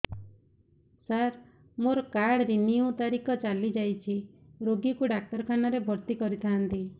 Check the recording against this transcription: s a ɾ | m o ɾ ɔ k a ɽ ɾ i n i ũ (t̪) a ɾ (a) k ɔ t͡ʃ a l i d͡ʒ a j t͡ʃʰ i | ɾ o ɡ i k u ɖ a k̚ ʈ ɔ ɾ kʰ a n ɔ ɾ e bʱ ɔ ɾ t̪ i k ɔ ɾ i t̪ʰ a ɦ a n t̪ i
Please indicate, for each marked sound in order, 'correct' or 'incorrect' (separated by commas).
correct, incorrect